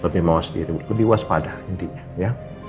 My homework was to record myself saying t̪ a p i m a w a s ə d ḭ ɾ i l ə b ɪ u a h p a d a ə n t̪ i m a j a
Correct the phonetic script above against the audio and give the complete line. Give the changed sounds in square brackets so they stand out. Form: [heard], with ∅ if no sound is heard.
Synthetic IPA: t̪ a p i m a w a s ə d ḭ ɾ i l ə b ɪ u a [s] p a d a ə n t̪ i [ɲ] a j a

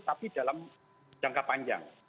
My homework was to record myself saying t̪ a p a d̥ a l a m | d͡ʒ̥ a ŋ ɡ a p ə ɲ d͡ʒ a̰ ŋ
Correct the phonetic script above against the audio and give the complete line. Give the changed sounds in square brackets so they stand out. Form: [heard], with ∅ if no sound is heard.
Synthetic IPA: t̪ a p [i] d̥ a l a m | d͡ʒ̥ a ŋ [k] a p [a] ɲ d͡ʒ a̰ ŋ

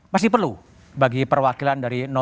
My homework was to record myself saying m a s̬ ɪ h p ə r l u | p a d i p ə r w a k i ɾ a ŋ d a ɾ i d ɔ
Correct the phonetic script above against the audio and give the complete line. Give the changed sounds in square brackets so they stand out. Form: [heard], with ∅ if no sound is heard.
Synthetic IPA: m a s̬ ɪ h p ə r l u | [b] a [ɡ] i p ə r w a k i [l] a [n] d a ɾ i [n] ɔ

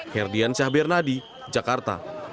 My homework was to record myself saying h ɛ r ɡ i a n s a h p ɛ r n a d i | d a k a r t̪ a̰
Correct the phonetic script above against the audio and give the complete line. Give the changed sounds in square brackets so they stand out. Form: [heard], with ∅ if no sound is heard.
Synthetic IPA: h ɛ r [d] i a n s a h [b] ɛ r n a d i | [d͡ʒ] a k a r t̪ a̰

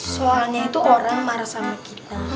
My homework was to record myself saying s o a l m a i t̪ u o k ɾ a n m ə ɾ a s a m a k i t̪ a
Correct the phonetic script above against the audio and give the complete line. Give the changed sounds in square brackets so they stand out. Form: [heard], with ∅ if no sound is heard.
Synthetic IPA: s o a l [ɲ] a i t̪ u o [∅] ɾ a [ŋ] m [a] ɾ a s a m a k i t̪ a

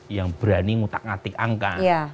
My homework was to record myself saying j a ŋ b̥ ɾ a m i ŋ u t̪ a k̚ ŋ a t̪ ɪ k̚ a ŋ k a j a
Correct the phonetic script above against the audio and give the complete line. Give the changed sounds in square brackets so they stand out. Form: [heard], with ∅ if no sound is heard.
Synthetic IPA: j a ŋ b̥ ɾ a [n] i ŋ u t̪ a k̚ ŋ a t̪ ɪ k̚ a ŋ k a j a

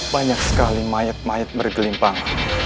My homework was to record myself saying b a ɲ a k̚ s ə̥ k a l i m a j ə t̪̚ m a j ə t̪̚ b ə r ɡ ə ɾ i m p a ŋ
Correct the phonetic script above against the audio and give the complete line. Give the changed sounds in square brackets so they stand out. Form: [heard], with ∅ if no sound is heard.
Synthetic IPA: b a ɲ a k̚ s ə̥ k a l i m a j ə t̪̚ m a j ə t̪̚ b ə r ɡ ə [l] i m p a ŋ

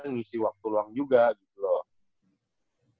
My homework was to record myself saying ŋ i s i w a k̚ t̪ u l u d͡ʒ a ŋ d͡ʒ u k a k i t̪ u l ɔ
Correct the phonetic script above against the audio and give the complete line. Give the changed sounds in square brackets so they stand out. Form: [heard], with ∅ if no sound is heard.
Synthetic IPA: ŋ i s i w a k̚ t̪ u l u [∅] a ŋ d͡ʒ u [ɡ] a [ɡ] i t̪ u l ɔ

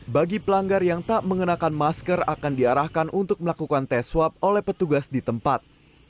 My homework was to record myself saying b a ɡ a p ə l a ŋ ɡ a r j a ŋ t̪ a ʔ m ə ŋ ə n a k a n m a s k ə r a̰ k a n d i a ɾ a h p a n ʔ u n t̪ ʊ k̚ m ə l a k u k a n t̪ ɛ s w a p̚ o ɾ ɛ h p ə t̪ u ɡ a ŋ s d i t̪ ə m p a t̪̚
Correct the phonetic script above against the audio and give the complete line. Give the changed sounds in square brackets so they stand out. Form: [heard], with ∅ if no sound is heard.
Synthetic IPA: b a ɡ [i] p ə l a ŋ ɡ a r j a ŋ t̪ a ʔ m ə ŋ ə n a k a n m a s k ə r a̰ k a n d i a ɾ a h [k] a n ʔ u n t̪ ʊ k̚ m ə l a k u k a n t̪ ɛ s w a p̚ o [l] ɛ h p ə t̪ u ɡ a [∅] s d i t̪ ə m p a t̪̚

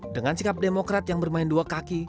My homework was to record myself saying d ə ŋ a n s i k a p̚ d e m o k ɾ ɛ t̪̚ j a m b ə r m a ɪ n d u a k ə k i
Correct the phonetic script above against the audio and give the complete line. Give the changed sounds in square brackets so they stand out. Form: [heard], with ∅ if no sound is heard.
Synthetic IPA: d ə ŋ a n s i k a p̚ d e m o k ɾ [a] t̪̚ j a [ŋ] b ə r m a ɪ n d u a k [a] k i

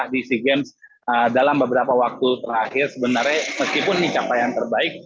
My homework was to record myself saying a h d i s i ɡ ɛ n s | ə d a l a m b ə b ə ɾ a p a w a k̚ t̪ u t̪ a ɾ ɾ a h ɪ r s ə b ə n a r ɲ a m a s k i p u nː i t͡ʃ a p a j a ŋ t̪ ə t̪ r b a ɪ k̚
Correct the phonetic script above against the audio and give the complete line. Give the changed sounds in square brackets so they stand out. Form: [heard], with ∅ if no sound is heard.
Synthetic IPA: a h d i s i ɡ ɛ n s | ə d a l a m b ə b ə ɾ a p a w a k̚ t̪ u t̪ [ə] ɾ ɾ a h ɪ r s ə b ə n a r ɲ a m [ə] s k i p [ʊ] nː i t͡ʃ a p a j a [n] t̪ ə [∅] r b a ɪ k̚

